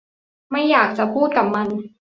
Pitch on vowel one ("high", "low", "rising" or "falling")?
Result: falling